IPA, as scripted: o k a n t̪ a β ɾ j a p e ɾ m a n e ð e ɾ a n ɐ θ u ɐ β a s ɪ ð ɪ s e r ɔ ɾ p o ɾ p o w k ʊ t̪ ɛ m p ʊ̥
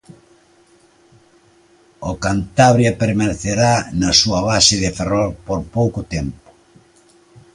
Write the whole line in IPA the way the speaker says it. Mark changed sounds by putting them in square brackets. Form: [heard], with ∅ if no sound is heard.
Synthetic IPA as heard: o k a n t̪ a β ɾ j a p e ɾ m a n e [θ] e ɾ a n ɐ [s] u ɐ β a s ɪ ð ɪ [f] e r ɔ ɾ p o ɾ p o w k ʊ t̪ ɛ m p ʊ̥